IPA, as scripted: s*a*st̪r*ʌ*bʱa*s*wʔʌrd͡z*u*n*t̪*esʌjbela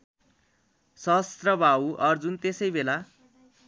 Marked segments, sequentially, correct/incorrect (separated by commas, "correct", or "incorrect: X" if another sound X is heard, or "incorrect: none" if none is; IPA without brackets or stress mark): incorrect: ʌ, correct, incorrect: none, correct, correct